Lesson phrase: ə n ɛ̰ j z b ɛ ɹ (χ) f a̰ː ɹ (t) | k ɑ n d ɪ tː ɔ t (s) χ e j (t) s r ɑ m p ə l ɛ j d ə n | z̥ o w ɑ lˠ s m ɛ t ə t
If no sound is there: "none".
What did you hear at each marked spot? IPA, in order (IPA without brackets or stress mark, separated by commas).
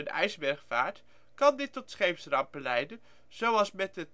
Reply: χ, t, s, p